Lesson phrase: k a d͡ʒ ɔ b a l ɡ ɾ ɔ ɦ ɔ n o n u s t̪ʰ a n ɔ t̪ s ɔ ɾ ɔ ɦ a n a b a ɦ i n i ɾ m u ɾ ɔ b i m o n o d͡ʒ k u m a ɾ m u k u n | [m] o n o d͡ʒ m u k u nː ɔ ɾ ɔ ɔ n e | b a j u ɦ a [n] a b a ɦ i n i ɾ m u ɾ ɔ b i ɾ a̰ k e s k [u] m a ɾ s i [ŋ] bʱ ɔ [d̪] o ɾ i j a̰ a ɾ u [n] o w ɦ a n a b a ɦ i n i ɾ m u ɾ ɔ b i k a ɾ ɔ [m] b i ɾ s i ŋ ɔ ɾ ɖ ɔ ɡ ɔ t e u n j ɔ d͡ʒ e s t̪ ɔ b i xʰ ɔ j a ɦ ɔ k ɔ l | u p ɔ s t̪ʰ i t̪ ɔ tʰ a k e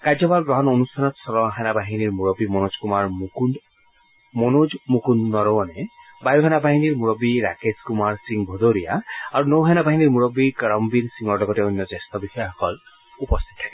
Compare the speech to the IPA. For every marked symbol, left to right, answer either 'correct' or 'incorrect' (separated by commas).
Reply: correct, correct, correct, correct, correct, correct, correct